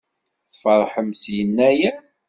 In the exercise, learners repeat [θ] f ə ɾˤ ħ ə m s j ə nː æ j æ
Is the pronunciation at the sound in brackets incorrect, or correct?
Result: correct